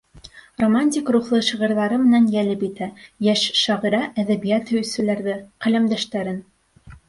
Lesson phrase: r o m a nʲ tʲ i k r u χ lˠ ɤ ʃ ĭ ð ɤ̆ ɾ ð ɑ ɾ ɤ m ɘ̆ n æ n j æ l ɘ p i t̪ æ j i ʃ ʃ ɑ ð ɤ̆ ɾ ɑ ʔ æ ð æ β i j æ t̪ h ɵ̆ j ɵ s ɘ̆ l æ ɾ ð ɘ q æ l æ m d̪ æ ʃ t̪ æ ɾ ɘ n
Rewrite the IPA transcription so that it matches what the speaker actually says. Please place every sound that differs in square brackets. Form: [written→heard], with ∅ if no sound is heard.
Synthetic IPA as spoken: r o m a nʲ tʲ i k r u χ lˠ ɤ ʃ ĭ [ð→ʁ] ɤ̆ ɾ ð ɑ ɾ ɤ m ɘ̆ n æ n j æ l ɘ p i t̪ æ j [i→æ] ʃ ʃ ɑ [ð→ʁ] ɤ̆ ɾ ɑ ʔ æ ð æ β i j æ t̪ h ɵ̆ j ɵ s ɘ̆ l æ ɾ ð ɘ q æ l æ m d̪ æ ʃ t̪ æ ɾ ɘ n

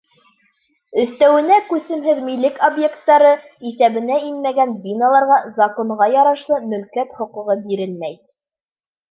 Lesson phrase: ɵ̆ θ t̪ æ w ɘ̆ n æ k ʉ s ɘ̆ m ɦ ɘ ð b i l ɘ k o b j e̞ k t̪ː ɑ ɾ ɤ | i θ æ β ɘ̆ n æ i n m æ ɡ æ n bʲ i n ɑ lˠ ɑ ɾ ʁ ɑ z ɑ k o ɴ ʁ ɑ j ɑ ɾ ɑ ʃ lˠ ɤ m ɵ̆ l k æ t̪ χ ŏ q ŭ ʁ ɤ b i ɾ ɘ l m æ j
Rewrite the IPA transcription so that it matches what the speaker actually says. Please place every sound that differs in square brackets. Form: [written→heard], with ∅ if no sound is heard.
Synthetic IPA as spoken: ɵ̆ θ t̪ æ w ɘ̆ n æ k ʉ s ɘ̆ m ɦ ɘ ð [b→m] i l ɘ k o b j e̞ k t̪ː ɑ ɾ ɤ | i θ æ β ɘ̆ n æ i n m æ ɡ æ n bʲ i n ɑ lˠ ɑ ɾ ʁ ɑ z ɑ k o ɴ ʁ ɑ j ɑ ɾ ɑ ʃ lˠ ɤ m ɵ̆ l k æ t̪ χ ŏ q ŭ ʁ ɤ b i ɾ ɘ l m æ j

